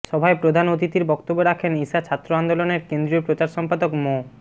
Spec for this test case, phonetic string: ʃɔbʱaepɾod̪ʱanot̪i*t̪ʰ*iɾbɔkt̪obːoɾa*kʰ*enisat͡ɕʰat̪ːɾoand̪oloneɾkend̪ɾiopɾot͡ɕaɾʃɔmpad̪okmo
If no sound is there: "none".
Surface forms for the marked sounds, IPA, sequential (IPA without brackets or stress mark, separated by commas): t̪, kʰ